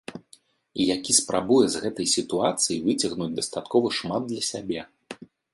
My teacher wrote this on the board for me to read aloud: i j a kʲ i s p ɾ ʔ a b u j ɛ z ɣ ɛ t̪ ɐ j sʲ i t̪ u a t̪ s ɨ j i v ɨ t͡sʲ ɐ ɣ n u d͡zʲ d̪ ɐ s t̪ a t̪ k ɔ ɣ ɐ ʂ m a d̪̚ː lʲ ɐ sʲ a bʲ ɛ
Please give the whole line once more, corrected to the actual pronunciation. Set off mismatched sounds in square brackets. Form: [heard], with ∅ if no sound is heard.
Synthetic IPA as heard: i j a kʲ i s p ɾ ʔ a b u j ɛ z ɣ ɛ t̪ ɐ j sʲ i t̪ u a t̪ s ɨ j i v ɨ t͡sʲ ɐ ɣ n u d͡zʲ d̪ ɐ s t̪ a t̪ k ɔ [v] ɐ ʂ m a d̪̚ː lʲ ɐ sʲ a bʲ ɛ